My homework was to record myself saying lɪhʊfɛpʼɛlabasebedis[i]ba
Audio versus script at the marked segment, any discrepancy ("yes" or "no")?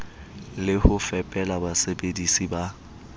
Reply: no